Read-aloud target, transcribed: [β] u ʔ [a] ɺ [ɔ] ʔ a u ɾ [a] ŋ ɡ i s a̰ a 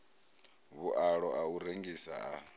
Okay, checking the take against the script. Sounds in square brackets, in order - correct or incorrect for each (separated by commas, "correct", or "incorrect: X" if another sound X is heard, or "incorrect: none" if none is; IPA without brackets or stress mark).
correct, correct, correct, incorrect: e